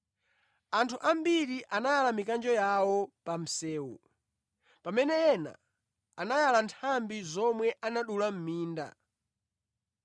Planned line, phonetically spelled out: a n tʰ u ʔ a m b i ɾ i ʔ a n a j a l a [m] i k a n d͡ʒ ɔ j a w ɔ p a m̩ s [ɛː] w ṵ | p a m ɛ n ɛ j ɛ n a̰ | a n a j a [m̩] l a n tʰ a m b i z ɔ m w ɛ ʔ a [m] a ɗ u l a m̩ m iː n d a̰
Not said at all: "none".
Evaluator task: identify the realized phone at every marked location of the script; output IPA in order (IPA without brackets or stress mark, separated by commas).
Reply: m, ɛː, none, n